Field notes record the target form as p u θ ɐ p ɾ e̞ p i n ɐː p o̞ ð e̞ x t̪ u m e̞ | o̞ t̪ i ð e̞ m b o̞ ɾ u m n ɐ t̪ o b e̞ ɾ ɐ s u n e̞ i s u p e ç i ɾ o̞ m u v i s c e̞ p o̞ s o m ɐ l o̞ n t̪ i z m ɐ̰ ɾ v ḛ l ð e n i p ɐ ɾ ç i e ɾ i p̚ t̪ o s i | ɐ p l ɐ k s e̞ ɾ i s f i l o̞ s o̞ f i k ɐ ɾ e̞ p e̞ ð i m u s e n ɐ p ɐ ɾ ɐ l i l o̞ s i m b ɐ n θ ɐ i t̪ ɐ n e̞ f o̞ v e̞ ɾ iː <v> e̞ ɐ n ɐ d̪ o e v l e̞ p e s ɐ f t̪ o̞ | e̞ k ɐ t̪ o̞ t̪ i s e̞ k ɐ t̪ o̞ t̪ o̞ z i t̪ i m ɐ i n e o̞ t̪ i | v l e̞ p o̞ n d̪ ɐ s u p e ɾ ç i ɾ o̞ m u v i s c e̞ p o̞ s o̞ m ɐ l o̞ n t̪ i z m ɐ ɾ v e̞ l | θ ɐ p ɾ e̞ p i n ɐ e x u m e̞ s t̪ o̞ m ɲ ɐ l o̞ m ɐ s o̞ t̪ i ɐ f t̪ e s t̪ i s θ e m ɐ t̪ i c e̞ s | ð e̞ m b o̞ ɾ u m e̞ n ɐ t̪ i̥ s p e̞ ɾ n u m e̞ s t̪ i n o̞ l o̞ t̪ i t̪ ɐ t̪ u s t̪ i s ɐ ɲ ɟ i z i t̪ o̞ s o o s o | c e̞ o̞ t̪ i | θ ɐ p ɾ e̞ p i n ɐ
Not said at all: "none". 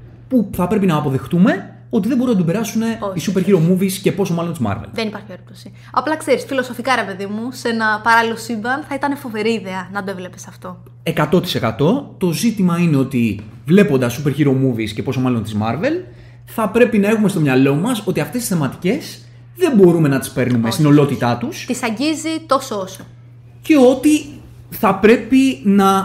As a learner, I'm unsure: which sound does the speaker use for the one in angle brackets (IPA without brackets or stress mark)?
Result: ð